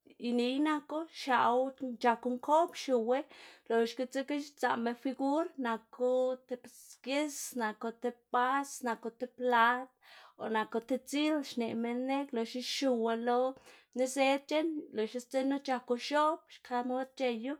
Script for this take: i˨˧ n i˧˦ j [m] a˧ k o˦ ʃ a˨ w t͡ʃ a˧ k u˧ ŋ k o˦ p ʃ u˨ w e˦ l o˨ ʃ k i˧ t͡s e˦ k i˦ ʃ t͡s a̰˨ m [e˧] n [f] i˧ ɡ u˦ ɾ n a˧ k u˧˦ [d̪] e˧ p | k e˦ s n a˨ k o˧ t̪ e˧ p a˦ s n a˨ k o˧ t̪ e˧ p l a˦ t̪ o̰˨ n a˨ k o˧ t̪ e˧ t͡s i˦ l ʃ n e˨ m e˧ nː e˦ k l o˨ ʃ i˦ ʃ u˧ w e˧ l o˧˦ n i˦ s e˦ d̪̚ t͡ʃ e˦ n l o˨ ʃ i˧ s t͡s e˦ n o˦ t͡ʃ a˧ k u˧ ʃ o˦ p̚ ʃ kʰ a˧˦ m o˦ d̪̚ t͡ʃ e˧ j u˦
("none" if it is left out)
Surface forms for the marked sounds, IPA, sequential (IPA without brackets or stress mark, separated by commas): n, e˧, f, t̪